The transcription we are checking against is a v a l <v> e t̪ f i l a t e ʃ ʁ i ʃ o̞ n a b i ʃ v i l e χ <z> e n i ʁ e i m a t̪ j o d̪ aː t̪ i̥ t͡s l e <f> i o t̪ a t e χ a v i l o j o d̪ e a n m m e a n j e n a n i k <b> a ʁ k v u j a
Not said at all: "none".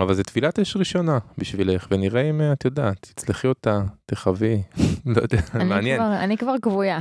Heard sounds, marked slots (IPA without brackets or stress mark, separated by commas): z, v, χ, v